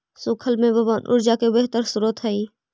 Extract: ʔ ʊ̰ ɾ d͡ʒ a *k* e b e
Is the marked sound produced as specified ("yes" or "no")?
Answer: yes